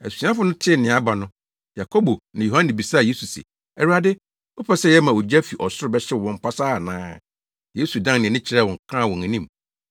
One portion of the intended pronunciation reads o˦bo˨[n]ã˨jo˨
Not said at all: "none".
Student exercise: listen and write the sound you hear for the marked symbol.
n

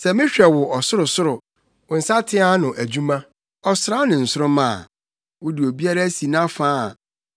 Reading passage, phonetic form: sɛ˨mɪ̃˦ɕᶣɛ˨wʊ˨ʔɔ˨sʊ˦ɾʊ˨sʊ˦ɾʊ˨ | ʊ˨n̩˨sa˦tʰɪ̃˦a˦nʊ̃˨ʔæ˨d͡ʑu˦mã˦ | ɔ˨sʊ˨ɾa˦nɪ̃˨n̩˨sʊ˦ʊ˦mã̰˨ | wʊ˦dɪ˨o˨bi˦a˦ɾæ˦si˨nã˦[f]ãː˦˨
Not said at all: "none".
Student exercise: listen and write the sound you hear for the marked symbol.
f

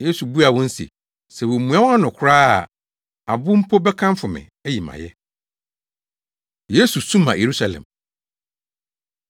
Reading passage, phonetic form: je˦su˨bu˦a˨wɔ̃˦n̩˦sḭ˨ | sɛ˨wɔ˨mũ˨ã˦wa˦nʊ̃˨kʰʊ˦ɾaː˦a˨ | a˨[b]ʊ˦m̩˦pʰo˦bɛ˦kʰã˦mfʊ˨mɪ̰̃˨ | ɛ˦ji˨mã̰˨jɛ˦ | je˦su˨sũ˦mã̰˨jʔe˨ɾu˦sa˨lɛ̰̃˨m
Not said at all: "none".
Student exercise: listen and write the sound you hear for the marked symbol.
b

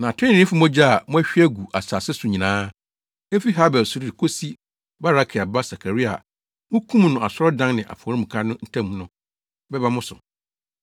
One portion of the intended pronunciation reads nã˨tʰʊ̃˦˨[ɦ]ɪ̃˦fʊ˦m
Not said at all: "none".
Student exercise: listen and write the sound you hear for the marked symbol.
none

